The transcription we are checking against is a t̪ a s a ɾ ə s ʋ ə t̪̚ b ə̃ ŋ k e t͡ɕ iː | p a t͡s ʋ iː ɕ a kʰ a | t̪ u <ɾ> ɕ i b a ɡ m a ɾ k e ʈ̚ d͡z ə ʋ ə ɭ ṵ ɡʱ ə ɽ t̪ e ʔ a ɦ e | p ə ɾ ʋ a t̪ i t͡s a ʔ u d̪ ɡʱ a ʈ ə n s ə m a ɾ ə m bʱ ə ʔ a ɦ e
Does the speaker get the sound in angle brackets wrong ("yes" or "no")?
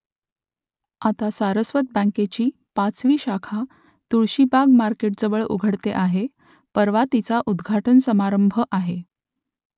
yes